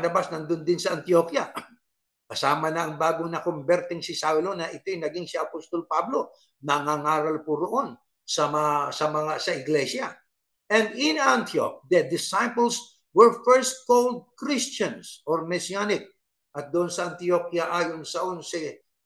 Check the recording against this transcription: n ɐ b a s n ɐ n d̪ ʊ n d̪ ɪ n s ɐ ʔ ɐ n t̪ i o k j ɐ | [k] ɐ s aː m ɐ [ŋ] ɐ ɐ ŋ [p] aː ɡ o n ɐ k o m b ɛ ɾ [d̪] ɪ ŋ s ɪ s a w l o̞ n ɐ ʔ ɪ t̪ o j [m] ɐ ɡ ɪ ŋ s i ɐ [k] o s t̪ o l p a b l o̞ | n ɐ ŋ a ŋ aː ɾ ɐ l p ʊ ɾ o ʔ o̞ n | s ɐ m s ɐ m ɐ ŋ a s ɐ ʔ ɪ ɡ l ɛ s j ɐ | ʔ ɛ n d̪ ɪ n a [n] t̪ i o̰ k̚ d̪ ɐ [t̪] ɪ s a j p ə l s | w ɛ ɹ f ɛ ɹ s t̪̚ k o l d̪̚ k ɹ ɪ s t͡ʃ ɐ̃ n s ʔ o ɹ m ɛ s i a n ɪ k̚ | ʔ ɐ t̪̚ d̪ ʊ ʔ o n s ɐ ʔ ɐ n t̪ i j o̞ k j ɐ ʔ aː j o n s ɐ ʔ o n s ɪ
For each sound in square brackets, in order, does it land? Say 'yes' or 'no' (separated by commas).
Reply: yes, no, no, no, no, no, yes, no